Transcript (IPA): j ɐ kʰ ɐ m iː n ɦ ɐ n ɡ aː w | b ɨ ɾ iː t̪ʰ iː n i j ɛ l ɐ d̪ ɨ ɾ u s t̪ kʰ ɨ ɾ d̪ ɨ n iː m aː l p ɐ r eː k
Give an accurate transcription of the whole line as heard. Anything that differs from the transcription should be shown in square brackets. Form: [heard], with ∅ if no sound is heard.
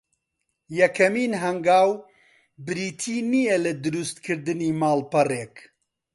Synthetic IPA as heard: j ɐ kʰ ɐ m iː n ɦ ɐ [ŋ] ɡ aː w | b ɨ ɾ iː t̪ʰ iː n i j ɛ l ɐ d̪ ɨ ɾ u s t̪ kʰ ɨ ɾ d̪ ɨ n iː m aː l p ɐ r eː k